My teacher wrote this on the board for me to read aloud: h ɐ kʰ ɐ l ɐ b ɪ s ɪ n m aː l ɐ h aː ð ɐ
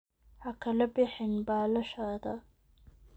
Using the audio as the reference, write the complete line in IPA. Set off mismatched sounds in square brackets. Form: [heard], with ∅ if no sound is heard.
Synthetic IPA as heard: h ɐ kʰ ɐ l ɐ b ɪ [ħ] ɪ n [b] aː l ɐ [ʃ] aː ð ɐ